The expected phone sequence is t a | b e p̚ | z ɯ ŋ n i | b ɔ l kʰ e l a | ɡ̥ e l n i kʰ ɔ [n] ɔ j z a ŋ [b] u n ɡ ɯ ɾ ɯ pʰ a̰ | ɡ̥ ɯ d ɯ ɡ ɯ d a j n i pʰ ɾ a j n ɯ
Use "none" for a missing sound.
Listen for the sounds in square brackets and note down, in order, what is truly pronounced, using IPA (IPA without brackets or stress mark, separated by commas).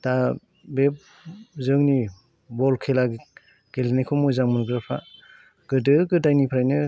m, m